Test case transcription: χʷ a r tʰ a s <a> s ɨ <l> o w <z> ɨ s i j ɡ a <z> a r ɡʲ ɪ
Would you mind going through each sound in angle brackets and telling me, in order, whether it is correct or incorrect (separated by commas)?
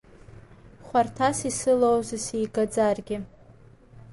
incorrect, correct, correct, incorrect